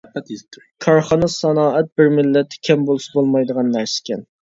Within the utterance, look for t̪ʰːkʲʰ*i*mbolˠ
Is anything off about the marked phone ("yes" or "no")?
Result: yes